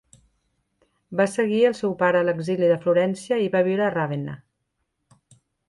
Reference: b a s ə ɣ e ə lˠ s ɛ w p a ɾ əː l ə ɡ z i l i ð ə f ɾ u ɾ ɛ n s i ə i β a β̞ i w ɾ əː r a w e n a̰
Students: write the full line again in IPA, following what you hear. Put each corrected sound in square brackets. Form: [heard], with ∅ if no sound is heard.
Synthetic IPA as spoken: b a s ə ɣ [i] ə lˠ s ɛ w p a ɾ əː l ə ɡ z i l i ð ə f [l] u ɾ ɛ n s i ə i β a β̞ i w ɾ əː r a [β] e n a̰